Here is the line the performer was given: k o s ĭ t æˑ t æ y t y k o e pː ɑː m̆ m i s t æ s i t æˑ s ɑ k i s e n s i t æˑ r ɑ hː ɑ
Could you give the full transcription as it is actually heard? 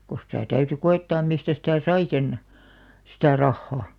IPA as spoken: k o s ĭ t æˑ t æ y t y k o e tː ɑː m̆ m i s t æ s i t æˑ s ɑ i s e n s i t æˑ r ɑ hː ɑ